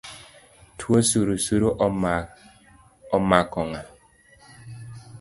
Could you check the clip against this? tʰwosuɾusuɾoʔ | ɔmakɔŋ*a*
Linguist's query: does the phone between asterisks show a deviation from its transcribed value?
no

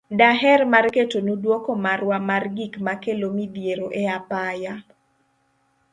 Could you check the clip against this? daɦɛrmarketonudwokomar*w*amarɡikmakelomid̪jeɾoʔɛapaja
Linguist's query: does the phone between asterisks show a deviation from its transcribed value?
no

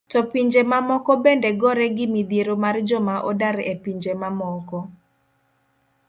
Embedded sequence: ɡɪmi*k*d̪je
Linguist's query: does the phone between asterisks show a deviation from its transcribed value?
yes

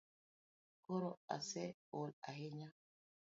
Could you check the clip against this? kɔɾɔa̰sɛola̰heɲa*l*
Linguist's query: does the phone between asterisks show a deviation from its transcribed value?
yes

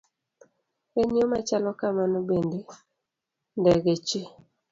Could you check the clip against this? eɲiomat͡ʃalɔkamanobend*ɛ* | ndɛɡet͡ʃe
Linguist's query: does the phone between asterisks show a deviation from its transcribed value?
yes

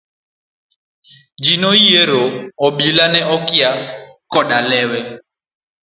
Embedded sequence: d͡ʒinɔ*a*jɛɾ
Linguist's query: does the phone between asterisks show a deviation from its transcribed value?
yes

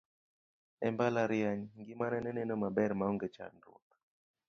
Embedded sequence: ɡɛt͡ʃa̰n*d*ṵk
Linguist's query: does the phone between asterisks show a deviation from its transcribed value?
no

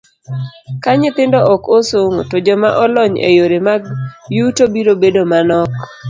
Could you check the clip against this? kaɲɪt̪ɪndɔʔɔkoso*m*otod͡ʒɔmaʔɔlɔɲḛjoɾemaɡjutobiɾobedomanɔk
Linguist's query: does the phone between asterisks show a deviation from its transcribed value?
yes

